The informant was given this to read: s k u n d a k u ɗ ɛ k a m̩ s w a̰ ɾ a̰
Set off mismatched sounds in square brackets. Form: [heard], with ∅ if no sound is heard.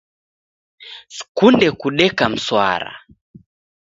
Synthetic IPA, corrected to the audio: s k u n d [ɛ] k u ɗ ɛ k a m̩ s w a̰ ɾ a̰